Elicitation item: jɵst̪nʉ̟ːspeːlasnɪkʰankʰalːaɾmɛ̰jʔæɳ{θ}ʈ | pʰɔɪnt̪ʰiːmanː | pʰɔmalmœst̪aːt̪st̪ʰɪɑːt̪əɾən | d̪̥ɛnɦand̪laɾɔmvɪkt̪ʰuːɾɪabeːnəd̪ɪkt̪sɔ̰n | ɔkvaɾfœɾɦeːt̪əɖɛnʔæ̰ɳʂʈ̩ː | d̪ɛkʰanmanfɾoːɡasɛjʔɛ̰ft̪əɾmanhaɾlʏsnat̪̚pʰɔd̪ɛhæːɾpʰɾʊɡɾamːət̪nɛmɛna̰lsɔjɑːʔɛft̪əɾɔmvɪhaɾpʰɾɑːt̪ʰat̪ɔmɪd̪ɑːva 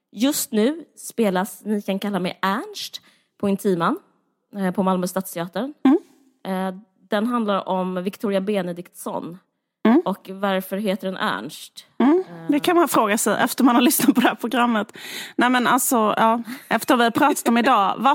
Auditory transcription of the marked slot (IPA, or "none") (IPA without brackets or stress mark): ʂ